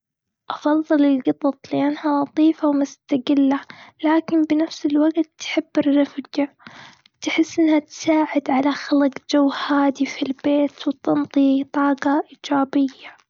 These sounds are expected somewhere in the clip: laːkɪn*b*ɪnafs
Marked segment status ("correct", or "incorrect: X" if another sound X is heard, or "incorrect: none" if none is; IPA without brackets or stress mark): correct